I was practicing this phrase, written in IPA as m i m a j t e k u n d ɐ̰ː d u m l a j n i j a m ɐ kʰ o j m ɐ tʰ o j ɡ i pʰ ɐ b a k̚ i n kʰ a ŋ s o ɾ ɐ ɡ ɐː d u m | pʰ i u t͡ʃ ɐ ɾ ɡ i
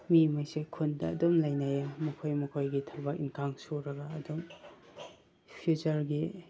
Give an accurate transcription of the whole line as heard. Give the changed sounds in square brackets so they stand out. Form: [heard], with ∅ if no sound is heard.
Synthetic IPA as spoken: m i m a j [s] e [kʰ] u n d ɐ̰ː d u m l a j n [a] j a m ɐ kʰ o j m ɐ [kʰ] o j ɡ i [tʰ] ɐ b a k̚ i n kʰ a ŋ s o ɾ ɐ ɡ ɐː d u m | pʰ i u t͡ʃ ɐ ɾ ɡ i